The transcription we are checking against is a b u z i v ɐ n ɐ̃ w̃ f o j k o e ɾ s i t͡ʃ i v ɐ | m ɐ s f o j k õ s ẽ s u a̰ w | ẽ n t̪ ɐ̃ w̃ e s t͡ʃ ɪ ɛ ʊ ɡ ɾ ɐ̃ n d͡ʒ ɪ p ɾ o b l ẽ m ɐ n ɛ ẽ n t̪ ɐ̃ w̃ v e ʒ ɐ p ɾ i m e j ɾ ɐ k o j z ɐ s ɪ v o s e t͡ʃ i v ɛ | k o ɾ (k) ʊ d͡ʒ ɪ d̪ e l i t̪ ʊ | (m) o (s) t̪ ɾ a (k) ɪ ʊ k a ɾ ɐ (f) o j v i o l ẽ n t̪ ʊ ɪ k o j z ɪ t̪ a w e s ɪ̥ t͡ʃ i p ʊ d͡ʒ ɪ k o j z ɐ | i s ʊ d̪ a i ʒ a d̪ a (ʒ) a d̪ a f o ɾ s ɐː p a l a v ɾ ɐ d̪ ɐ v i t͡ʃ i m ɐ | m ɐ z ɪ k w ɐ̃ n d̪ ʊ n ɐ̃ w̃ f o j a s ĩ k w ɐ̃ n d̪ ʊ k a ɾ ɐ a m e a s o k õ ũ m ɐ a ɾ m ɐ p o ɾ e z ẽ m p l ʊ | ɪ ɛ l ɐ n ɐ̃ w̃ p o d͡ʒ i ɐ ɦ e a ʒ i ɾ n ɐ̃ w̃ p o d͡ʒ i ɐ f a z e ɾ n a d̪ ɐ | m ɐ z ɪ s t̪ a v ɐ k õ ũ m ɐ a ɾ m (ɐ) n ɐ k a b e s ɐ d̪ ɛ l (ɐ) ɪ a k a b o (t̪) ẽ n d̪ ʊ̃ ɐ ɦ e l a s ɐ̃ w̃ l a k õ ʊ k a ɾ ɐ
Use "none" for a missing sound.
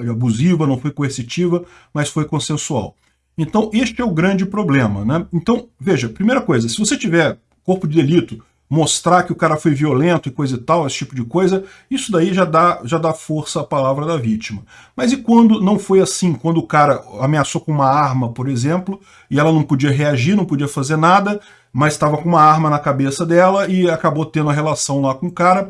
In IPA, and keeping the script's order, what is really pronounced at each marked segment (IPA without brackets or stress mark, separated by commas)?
p, m, s, k, f, ʒ, ɐ, ɐ, t̪